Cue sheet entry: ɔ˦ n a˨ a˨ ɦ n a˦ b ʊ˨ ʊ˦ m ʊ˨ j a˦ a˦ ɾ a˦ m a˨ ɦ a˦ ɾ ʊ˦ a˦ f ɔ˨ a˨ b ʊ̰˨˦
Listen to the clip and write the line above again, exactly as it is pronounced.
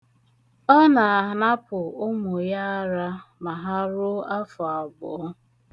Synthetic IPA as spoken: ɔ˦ n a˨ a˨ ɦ n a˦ p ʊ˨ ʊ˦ m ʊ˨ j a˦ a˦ ɾ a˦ m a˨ ɦ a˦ ɾ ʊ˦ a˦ f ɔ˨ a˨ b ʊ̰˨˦